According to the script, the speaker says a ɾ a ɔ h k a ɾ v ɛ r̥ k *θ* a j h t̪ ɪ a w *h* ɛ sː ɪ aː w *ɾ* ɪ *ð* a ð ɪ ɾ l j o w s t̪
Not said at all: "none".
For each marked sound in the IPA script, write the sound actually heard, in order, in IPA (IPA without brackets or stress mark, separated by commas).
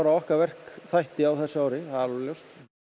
θ, θ, ɾ, θ